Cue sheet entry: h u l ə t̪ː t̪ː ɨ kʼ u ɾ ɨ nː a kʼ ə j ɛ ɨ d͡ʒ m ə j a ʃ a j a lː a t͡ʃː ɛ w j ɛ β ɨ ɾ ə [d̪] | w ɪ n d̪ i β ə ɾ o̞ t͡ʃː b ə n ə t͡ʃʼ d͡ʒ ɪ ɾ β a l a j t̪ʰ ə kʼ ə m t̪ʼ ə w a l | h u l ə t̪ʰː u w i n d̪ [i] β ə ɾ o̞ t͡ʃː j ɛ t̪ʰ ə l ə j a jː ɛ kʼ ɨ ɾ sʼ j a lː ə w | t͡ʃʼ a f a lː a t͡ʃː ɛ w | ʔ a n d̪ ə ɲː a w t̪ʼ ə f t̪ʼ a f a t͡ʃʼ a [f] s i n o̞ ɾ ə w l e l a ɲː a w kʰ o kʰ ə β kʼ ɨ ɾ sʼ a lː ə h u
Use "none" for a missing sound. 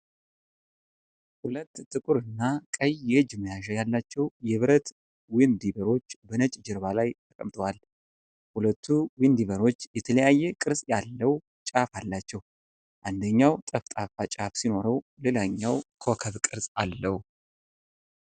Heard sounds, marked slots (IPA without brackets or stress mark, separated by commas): t̪, i, f